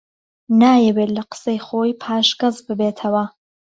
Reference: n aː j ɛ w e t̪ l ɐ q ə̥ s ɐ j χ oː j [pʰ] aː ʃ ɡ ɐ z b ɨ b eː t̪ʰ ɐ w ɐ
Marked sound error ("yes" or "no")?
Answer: no